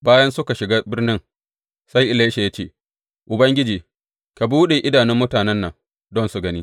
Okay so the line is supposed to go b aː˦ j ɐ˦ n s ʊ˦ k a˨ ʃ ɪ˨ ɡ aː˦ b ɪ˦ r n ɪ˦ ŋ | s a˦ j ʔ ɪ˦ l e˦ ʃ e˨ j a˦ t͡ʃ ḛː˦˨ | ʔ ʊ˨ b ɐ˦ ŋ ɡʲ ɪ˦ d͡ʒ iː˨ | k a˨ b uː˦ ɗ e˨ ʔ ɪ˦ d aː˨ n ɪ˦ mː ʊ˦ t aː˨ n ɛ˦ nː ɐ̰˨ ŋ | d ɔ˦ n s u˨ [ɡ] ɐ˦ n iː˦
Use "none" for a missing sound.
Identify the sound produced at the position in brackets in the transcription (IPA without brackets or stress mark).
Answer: ɡ